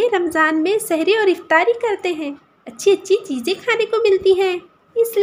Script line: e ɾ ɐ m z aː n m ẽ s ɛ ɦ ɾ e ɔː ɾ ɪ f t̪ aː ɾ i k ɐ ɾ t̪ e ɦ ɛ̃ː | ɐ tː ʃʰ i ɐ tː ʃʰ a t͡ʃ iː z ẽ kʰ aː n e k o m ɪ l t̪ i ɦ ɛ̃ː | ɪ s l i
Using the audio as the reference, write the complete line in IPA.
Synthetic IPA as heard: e ɾ ɐ m z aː n m ẽ s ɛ ɦ ɾ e ɔː ɾ ɪ f t̪ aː ɾ i k ɐ ɾ t̪ e ɦ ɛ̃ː | ɐ tː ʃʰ i ɐ tː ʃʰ i t͡ʃ iː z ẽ kʰ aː n e k o m ɪ l t̪ i ɦ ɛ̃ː | ɪ s l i